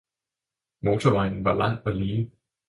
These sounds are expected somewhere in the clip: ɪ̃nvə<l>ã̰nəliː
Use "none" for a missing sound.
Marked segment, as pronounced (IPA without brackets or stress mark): l